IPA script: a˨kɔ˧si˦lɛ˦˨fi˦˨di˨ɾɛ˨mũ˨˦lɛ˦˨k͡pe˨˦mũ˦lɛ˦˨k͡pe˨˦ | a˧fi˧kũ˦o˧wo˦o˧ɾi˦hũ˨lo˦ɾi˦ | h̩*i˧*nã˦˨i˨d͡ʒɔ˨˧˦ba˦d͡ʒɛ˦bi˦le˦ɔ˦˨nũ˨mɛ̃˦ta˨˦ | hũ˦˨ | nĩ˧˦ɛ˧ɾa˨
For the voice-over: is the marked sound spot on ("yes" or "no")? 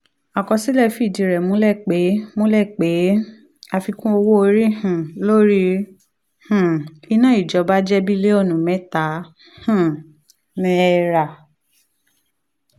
yes